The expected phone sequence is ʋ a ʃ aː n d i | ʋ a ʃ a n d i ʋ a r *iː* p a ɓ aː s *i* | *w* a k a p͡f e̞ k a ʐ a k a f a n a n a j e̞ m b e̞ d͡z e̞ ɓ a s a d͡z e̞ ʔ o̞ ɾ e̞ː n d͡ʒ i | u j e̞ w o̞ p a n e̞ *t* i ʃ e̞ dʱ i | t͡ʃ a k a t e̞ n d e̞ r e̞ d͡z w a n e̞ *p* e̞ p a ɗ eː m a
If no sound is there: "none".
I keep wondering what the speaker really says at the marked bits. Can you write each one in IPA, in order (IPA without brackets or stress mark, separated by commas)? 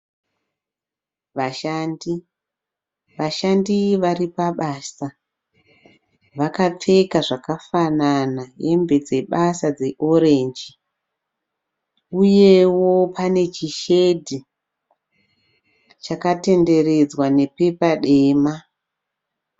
i, a, ʋ, t͡ʃ, p